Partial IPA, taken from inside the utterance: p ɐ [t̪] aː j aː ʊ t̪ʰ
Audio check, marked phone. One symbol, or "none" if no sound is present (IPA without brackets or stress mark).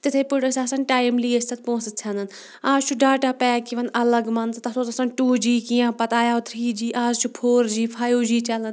t̪